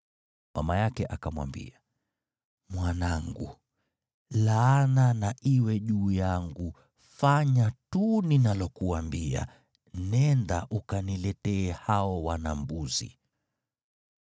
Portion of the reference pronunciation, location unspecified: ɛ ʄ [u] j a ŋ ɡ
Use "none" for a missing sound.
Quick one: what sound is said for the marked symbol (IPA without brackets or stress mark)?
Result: uː